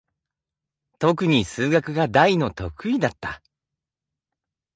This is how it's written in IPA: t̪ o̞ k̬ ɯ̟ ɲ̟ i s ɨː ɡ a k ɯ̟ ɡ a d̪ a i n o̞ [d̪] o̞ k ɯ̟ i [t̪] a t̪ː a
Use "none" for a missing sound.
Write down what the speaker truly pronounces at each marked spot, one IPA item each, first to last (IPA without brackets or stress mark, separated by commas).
t̪, d̪